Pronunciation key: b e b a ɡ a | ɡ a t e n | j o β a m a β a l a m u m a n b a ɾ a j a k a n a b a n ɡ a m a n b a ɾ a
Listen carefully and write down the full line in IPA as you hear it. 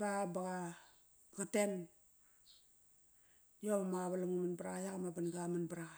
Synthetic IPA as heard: b a b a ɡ a | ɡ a t e n | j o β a m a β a l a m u m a n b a ɾ a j a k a m a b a n ɡ a m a n b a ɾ a